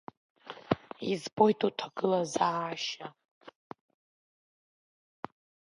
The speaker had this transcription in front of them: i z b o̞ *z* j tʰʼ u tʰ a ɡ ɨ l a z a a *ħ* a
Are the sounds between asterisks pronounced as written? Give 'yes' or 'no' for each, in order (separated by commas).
no, no